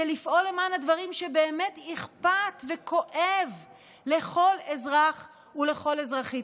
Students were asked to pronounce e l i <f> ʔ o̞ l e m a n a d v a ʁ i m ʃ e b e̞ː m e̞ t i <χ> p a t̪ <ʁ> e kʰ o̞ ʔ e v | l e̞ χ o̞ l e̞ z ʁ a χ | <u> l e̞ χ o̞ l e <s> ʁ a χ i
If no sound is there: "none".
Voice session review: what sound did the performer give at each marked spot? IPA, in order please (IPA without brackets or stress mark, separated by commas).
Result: f, χ, v, u, z